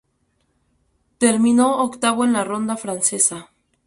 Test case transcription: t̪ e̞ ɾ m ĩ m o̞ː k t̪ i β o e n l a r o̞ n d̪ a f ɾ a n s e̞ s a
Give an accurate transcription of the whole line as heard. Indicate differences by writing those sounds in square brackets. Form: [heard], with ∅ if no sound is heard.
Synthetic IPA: t̪ e̞ ɾ m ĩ [n] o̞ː k t̪ [a] β o e n l a r o̞ n d̪ a f ɾ a n s e̞ s a